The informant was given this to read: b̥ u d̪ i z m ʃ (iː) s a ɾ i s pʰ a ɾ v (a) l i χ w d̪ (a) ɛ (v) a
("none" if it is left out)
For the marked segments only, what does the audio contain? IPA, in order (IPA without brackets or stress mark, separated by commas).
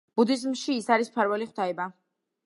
iː, ɛ, a, b